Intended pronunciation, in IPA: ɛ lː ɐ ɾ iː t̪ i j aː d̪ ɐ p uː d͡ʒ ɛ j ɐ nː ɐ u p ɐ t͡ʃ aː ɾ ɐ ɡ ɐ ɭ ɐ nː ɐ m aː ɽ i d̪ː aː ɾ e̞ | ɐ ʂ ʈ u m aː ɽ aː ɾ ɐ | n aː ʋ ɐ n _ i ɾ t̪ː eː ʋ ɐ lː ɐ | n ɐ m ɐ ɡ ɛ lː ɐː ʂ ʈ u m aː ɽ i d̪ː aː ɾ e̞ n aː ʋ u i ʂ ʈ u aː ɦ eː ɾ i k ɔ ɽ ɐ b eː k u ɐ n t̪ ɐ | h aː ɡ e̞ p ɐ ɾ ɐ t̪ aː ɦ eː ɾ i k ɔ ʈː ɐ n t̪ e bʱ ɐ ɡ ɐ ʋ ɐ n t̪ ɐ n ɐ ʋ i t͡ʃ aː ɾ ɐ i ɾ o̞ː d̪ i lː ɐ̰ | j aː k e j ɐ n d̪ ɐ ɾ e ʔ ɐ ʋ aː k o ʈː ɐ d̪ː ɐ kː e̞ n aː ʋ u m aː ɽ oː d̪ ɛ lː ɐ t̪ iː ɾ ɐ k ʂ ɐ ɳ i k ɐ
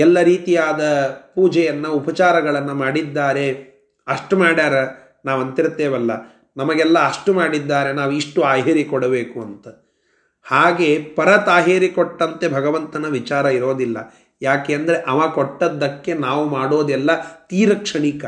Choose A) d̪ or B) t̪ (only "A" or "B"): B